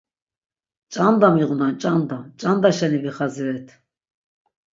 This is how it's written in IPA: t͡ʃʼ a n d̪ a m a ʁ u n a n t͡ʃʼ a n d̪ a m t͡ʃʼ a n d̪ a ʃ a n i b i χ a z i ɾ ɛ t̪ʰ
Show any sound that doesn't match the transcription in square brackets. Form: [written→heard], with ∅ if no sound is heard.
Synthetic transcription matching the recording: t͡ʃʼ a n d̪ a m [a→i] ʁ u n a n t͡ʃʼ a n d̪ a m t͡ʃʼ a n d̪ a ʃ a n i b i χ a z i ɾ ɛ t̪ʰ